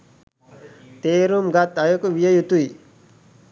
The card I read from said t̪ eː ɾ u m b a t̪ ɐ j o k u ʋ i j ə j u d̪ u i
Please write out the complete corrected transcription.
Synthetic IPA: t̪ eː ɾ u m ɡ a t̪ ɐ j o k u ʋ i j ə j u t̪ u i